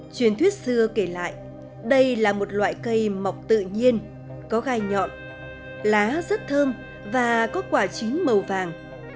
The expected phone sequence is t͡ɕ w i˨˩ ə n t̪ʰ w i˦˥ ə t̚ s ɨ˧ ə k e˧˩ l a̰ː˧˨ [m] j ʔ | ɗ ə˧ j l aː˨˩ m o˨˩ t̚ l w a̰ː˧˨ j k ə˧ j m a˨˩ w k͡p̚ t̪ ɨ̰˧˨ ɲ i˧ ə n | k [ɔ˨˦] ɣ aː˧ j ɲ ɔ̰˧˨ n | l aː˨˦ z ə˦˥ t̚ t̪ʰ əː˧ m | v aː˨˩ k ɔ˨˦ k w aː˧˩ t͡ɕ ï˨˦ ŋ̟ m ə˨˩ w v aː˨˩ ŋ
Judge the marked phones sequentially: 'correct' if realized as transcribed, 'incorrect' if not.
incorrect: none, correct

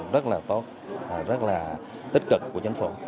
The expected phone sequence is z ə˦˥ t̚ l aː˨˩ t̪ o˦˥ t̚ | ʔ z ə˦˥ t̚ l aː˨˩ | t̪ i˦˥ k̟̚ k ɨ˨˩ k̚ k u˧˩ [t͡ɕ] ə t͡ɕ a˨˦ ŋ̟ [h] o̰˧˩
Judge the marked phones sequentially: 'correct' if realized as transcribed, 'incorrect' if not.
incorrect: none, incorrect: f

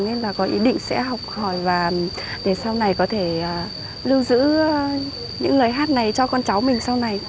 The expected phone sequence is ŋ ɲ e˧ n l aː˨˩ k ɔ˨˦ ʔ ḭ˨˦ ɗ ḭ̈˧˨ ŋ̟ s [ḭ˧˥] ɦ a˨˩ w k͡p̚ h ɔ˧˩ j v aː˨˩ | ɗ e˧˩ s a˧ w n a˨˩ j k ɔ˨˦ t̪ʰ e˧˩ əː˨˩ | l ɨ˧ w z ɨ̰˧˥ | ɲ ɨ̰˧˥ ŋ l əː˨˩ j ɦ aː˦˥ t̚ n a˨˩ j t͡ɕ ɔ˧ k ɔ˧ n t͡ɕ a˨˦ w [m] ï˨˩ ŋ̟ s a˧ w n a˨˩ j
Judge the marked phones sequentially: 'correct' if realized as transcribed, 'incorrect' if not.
incorrect: ɛ̰˧˥, correct

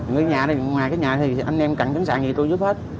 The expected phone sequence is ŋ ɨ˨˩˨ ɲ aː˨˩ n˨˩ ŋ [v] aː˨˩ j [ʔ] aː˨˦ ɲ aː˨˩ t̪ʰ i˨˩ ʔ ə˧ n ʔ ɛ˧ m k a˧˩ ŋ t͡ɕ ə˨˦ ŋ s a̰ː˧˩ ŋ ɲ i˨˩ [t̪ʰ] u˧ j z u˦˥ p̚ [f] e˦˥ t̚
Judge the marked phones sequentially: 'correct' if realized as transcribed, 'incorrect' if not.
incorrect: w, incorrect: k, incorrect: t̪, incorrect: h

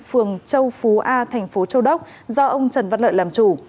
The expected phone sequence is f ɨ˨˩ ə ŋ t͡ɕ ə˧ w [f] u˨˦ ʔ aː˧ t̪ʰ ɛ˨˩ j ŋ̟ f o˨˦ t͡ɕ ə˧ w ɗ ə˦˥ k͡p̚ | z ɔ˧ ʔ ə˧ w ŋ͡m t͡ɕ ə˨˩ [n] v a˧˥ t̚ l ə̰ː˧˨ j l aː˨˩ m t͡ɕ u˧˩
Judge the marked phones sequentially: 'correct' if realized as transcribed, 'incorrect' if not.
correct, correct

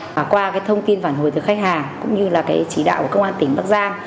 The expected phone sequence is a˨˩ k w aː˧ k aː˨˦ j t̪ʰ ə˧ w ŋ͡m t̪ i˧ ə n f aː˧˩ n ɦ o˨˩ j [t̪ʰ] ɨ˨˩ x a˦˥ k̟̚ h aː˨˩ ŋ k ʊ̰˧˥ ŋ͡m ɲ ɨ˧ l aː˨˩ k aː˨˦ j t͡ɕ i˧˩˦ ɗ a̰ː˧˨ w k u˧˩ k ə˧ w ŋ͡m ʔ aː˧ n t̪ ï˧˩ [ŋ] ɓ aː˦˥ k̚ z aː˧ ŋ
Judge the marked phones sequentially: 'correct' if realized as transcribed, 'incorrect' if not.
incorrect: t̪, correct

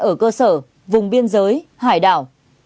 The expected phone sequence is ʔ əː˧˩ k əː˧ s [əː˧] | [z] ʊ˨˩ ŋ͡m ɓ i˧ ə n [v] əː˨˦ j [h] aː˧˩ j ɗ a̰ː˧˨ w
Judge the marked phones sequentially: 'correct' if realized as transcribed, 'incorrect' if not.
incorrect: əː˧˩, incorrect: v, incorrect: z, correct

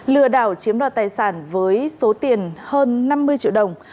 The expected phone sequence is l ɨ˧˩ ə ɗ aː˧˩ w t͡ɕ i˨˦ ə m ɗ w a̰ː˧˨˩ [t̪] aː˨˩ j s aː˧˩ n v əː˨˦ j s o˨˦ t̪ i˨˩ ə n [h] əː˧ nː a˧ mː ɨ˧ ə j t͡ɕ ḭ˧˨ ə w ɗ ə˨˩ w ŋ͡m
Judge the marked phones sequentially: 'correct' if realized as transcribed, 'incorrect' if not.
correct, correct

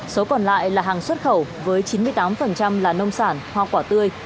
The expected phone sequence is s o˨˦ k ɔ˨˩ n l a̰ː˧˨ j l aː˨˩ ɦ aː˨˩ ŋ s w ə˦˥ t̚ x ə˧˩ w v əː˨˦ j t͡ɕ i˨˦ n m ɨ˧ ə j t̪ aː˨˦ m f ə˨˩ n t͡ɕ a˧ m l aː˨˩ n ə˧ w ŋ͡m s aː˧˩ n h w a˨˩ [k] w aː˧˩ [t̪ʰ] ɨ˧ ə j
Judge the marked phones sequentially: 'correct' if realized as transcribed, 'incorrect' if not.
correct, incorrect: t̪

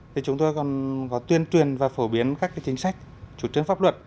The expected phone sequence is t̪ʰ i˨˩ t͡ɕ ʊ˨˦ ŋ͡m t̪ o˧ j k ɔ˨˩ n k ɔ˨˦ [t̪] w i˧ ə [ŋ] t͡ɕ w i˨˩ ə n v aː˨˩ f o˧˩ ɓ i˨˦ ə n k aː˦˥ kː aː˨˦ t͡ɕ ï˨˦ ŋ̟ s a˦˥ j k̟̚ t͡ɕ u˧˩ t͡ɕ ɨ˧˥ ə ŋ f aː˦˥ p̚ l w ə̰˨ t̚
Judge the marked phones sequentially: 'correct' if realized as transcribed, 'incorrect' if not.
correct, incorrect: n

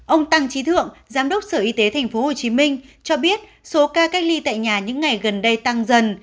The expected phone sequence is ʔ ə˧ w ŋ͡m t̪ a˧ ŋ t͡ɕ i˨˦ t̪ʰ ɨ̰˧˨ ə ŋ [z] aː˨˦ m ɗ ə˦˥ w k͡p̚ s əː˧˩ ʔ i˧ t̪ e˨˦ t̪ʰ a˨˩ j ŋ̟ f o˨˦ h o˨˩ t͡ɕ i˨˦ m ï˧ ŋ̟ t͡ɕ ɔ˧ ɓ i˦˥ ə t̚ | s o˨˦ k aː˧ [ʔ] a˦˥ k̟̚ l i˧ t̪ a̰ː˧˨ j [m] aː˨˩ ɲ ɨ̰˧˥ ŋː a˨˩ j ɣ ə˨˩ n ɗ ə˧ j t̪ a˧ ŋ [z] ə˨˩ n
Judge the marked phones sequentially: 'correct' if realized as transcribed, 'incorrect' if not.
correct, incorrect: k, incorrect: ɲ, correct

